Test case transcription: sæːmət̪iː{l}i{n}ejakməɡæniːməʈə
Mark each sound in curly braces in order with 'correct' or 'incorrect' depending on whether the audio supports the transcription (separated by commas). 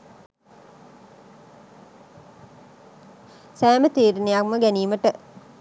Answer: incorrect, correct